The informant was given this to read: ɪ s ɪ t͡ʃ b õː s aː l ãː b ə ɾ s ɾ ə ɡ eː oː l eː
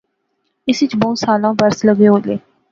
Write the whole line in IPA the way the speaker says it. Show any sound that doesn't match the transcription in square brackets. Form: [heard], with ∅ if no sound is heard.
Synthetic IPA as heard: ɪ s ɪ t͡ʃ b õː s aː l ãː b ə ɾ s [l] ə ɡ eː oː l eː